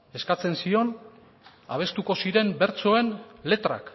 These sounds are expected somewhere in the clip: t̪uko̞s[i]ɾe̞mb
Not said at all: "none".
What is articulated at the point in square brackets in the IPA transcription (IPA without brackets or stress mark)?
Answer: i